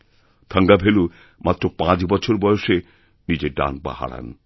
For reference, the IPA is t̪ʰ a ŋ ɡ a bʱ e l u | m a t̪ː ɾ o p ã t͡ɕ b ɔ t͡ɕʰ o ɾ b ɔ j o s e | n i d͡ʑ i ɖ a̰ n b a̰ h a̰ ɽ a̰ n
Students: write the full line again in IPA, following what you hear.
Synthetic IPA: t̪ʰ a ŋ ɡ a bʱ e l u | m a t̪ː ɾ o p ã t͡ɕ b ɔ t͡ɕʰ o ɾ b ɔ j o ʃ e | n i d͡ʑ e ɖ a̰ n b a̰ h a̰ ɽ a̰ n